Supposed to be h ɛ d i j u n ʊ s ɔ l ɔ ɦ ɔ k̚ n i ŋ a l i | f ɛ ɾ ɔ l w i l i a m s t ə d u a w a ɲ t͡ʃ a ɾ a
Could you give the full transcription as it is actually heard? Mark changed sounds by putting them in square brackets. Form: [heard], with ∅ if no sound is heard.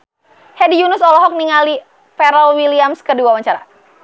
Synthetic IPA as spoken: h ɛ d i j u n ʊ s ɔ l ɔ ɦ ɔ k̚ n i ŋ a l i | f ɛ ɾ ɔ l w i l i a m s [k] ə d u a w a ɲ t͡ʃ a ɾ a